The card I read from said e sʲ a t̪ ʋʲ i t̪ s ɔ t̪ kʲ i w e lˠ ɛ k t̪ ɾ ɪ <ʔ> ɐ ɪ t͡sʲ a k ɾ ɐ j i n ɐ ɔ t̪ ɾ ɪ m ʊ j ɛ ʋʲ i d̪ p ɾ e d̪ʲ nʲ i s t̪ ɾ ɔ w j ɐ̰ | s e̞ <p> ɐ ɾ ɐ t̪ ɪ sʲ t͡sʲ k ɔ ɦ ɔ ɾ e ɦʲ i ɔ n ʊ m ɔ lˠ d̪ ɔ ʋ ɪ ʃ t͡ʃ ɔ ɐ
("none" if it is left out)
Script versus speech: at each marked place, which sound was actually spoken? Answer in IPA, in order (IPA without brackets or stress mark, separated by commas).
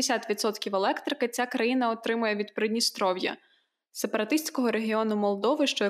k, p